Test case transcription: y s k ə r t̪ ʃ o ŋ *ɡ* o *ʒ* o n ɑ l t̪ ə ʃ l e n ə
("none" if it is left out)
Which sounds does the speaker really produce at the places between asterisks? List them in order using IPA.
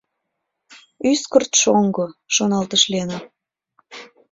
ɡ, ʃ

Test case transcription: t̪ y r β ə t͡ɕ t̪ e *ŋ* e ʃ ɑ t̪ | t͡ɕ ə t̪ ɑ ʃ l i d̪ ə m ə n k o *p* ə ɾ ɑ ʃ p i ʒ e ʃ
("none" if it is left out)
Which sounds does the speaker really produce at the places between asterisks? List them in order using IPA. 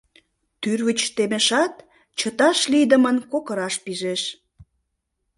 m, k

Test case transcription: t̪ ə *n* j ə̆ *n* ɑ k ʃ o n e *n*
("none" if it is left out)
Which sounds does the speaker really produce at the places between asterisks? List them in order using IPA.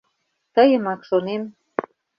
none, m, m

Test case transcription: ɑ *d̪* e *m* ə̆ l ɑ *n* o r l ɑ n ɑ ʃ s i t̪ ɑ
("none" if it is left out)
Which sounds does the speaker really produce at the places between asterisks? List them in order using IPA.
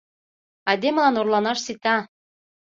d̪, m, n

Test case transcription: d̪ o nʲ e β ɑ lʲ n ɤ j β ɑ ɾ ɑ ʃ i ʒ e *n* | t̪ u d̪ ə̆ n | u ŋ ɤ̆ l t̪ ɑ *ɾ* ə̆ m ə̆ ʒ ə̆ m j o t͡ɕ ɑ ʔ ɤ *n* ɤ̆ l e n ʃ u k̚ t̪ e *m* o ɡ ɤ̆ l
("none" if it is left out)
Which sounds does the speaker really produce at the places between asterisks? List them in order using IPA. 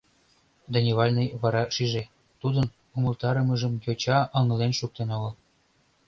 none, ɾ, ŋ, n

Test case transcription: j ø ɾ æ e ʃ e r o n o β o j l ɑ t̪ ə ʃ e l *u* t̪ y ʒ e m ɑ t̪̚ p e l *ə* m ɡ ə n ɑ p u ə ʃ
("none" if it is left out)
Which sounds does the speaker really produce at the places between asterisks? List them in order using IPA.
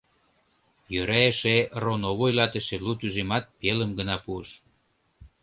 u, ə

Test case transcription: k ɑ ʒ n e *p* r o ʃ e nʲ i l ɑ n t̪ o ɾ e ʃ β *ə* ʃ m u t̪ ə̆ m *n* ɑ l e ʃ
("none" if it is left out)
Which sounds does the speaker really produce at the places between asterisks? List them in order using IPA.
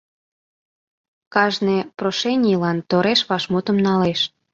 p, ɑ, n

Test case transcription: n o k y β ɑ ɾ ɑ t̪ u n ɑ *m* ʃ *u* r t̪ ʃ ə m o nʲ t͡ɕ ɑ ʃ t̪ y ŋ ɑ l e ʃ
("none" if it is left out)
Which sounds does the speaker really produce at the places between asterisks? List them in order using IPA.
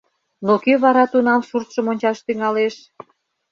m, u

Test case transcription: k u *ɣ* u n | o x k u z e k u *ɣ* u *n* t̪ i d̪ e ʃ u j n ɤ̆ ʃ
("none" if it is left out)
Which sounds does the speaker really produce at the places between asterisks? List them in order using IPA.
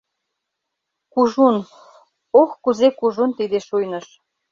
ʒ, ʒ, n

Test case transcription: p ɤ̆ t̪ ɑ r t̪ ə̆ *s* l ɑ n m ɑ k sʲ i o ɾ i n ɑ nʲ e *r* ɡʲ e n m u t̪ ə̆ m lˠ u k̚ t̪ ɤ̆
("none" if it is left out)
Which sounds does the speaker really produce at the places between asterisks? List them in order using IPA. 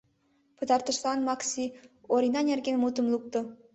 ʃ, r

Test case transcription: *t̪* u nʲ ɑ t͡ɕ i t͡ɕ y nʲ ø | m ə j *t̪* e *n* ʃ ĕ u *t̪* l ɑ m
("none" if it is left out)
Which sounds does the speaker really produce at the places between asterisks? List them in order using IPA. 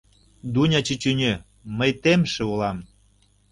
d̪, t̪, m, none

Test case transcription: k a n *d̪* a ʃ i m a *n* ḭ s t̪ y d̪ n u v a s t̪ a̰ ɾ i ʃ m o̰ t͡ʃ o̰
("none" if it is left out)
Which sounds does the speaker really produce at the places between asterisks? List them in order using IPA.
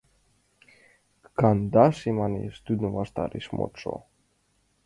d̪, n

